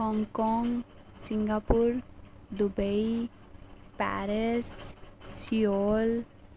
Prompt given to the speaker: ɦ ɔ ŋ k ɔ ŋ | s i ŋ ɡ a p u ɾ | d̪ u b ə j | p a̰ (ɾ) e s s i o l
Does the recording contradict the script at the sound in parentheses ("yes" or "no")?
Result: no